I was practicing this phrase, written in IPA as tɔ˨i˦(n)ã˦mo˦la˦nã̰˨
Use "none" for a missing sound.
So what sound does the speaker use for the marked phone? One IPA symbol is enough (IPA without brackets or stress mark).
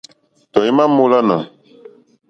m